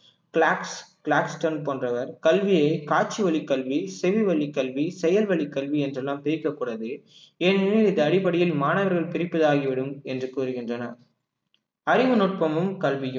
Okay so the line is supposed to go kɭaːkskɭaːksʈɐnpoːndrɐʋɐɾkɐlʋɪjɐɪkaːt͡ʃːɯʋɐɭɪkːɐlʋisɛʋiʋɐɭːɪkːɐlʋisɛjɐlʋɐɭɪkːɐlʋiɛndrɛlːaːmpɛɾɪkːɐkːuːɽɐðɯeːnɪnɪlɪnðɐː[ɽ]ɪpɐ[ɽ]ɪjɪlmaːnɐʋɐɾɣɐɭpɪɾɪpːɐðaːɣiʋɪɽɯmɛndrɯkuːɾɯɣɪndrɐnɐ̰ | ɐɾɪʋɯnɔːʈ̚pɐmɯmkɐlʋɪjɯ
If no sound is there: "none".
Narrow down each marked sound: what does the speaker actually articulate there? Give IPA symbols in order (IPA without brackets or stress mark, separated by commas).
ɽ, ɽ